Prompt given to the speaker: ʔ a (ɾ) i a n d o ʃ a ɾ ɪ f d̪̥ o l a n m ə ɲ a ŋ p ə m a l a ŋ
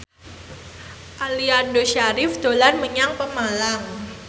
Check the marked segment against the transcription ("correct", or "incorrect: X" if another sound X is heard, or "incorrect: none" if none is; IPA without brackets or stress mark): incorrect: l